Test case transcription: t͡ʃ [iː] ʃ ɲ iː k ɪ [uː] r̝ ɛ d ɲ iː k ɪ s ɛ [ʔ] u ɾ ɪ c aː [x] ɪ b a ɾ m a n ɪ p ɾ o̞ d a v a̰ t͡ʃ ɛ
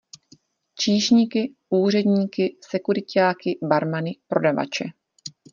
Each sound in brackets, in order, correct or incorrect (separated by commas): correct, correct, incorrect, incorrect